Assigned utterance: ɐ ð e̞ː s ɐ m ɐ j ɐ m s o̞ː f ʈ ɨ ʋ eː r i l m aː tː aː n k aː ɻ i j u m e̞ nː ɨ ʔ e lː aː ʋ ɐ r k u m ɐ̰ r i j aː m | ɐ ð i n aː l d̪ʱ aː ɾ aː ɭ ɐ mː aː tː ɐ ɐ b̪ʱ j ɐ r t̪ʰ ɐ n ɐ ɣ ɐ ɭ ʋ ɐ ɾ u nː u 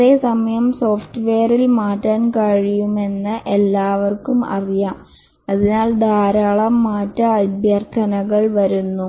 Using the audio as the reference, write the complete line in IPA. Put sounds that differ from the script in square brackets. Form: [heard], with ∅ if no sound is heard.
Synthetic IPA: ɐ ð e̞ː s ɐ m ɐ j ɐ m s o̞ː f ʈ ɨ ʋ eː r i l m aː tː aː n k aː ɻ i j u m e̞ nː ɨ ʔ e lː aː ʋ ɐ r k u m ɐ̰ r i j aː m | ɐ ð i n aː l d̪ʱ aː ɾ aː ɭ ɐ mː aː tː ɐ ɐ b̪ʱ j ɐ r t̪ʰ ɐ n ɐ ɣ ɐ ɭ ʋ ɐ ɾ u nː u